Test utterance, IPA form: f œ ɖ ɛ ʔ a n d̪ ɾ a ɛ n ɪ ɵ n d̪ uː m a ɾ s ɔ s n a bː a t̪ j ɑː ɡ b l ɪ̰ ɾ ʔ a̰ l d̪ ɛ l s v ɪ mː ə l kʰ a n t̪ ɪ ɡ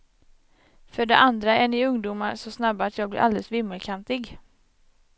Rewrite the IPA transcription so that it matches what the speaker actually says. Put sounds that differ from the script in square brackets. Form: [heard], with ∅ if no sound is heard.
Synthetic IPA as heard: f œ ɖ ɛ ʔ a n d̪ ɾ a ɛ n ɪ ɵ [ŋ] d̪ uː m a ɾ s ɔ s n a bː a t̪ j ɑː ɡ b l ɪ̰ ɾ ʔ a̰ l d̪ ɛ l s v ɪ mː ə l kʰ a n t̪ ɪ ɡ